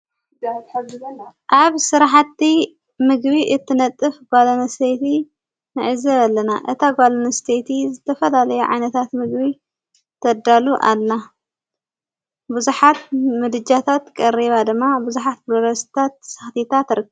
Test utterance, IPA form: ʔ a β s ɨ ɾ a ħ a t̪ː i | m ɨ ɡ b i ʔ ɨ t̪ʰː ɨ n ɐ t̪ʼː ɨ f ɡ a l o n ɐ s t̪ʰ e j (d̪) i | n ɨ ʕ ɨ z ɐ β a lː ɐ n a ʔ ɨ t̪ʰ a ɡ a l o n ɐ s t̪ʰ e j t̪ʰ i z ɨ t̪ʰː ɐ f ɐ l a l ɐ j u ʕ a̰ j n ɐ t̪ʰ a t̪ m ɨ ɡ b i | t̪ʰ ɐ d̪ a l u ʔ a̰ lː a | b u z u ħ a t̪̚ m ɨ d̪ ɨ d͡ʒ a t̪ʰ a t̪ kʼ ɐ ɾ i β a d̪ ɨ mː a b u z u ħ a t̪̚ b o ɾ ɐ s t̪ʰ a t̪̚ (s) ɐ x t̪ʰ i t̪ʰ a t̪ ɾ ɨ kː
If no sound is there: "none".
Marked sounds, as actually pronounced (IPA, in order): t̪, s

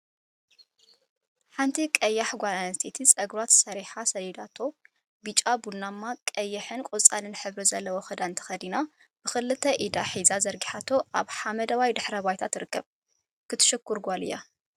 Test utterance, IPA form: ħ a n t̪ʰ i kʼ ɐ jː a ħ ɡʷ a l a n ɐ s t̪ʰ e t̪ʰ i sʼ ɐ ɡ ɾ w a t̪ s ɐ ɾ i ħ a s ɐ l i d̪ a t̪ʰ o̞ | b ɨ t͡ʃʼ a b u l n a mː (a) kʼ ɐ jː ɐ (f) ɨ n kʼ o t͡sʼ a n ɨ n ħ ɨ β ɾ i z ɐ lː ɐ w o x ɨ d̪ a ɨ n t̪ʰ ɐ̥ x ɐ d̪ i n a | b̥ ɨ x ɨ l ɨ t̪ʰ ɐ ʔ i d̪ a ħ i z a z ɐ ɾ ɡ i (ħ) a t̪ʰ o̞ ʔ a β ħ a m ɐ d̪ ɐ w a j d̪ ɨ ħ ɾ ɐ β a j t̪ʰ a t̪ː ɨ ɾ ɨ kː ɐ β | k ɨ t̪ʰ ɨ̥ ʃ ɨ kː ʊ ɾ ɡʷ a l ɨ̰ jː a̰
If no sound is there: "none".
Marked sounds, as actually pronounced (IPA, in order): a, ħ, ħ

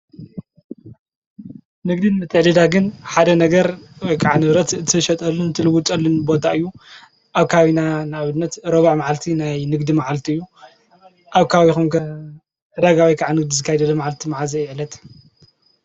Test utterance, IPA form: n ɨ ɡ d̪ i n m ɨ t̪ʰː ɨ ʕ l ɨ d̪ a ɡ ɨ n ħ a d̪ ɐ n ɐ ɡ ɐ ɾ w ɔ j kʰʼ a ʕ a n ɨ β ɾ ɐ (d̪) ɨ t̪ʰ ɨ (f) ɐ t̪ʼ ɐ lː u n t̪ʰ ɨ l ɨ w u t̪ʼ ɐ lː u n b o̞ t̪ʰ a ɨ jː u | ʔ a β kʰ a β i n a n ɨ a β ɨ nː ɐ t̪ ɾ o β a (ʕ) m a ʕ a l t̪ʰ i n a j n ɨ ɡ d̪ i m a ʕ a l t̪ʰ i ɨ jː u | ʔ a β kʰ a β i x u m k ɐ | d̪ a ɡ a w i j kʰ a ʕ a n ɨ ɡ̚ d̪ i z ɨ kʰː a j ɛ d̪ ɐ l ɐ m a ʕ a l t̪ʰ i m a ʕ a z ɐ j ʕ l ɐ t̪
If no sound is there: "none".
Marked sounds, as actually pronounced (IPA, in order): t̪, ʃ, ʕ

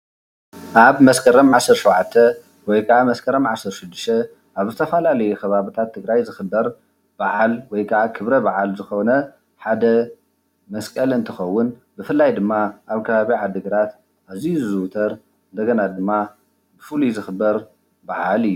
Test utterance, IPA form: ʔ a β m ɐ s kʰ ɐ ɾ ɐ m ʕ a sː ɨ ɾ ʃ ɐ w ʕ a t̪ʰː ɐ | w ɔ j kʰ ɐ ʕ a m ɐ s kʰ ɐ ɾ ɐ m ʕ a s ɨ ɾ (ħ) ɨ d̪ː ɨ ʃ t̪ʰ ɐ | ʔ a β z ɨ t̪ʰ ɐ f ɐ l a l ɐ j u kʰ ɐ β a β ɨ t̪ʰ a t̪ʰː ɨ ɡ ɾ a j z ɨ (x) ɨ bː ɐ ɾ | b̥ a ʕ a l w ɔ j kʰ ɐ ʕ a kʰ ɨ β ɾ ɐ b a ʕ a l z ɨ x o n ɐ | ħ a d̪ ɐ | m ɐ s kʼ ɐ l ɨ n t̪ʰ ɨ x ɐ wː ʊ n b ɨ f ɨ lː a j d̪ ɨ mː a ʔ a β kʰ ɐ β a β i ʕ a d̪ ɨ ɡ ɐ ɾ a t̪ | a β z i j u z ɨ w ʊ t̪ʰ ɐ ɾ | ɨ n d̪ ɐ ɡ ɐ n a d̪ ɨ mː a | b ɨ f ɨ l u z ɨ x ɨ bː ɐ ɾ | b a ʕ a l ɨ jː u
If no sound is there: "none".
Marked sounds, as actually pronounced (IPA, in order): ʃ, x

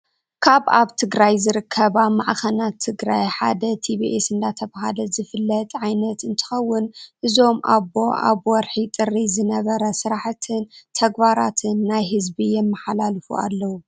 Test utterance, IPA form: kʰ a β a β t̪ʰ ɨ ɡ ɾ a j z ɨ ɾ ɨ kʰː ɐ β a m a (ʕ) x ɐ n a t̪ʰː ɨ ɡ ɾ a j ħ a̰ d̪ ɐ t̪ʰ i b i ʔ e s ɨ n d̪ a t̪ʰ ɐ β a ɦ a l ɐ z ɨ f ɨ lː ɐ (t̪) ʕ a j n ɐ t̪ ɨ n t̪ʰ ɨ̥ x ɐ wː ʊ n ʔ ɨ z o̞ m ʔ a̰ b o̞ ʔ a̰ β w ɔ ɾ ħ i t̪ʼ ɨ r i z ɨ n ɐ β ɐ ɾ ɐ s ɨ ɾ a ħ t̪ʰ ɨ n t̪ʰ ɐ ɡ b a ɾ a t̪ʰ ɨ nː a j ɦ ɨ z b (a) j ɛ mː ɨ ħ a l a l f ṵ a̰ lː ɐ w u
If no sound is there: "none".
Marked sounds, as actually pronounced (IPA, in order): ʕ, t̪ʼ, i

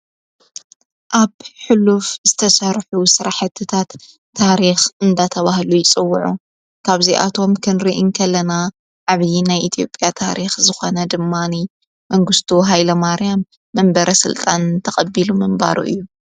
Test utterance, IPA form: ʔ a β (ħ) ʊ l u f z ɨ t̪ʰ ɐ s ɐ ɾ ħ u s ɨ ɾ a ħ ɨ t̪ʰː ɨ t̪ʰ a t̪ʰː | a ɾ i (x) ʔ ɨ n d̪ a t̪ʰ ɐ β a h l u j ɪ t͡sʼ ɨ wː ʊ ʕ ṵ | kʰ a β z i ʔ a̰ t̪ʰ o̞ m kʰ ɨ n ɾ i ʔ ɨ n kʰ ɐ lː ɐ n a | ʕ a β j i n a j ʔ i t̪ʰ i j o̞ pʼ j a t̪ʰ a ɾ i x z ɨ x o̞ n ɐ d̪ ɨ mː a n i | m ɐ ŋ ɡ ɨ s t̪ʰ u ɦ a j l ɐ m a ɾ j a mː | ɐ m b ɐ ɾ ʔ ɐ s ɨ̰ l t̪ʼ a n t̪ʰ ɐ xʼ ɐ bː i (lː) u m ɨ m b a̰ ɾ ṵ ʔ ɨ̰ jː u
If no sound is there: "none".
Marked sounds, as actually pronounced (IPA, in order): ħ, x, l

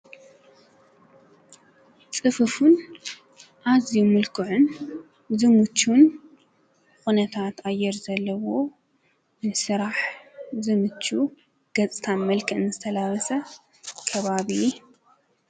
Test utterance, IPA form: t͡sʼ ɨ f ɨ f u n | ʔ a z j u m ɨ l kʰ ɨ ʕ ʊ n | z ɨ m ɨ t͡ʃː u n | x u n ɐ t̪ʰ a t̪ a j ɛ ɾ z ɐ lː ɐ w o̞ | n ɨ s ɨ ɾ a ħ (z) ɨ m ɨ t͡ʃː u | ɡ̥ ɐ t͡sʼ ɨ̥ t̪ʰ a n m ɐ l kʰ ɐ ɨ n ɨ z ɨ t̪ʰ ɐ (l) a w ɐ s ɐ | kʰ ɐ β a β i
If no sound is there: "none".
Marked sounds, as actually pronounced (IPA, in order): z, l

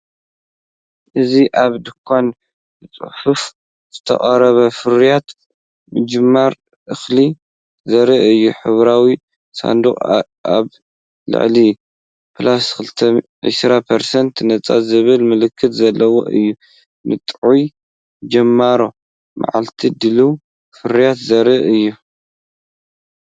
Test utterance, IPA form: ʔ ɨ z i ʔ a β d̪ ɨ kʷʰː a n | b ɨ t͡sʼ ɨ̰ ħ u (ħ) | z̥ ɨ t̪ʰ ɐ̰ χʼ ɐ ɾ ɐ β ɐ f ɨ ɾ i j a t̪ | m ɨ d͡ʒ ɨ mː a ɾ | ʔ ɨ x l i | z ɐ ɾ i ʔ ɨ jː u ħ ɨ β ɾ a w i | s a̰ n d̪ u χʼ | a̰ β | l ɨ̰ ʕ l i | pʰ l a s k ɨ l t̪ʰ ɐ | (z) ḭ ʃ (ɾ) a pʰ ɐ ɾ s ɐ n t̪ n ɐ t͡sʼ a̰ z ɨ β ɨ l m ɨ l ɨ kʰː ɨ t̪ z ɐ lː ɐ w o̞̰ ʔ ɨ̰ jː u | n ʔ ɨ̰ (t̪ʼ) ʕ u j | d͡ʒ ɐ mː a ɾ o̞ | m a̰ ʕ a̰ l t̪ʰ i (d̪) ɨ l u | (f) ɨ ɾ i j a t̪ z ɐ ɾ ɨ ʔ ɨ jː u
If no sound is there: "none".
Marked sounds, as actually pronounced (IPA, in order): f, ʕ, ɾ, t̪ʼ, d̪, f

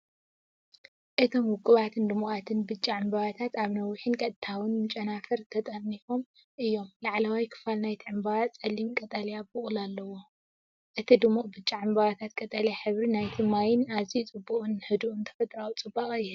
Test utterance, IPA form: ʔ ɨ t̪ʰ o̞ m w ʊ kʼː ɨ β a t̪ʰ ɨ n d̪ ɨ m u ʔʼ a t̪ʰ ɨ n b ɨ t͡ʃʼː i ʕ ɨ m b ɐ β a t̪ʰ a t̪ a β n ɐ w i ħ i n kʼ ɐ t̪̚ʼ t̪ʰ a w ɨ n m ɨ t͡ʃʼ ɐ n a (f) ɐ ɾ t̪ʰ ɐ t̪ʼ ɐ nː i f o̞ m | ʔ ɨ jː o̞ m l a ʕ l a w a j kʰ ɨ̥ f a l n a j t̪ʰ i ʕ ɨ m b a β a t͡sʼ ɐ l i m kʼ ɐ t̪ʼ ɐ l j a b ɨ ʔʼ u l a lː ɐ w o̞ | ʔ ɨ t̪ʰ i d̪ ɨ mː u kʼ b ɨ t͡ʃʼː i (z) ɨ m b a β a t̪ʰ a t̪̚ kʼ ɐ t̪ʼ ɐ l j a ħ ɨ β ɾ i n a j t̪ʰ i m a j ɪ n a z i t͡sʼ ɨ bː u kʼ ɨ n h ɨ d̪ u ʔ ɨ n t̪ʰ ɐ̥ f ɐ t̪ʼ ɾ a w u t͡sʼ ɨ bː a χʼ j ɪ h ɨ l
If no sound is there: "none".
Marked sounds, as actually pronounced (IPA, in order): f, ʕ

